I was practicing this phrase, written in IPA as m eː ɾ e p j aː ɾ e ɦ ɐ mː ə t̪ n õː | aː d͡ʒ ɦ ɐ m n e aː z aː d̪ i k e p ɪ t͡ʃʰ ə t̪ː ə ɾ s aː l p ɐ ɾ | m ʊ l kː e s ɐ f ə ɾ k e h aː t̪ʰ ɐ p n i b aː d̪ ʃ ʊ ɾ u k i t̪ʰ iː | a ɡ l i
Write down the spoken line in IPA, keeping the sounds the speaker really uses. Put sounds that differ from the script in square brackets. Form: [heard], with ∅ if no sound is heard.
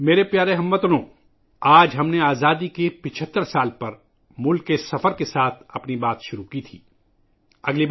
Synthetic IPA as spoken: m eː ɾ e p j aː ɾ e ɦ ɐ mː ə t̪ n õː | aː d͡ʒ ɦ ɐ m n e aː z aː d̪ i k e p ɪ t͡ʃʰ ə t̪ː ə ɾ s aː l p ɐ ɾ | m ʊ l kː e s ɐ f ə ɾ k e [s] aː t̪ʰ ɐ p n i b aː [t̪] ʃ ʊ ɾ u k i t̪ʰ iː | [ɐ] ɡ l i